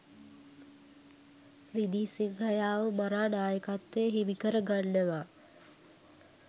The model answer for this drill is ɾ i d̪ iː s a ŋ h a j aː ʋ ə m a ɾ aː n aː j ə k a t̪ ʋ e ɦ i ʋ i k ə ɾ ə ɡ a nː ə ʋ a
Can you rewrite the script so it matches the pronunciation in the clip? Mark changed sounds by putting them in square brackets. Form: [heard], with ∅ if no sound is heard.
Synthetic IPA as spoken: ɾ i d̪ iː s [i] ŋ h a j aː ʋ ə m a ɾ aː n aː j ə k a t̪ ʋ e ɦ i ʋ i k ə ɾ ə ɡ a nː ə ʋ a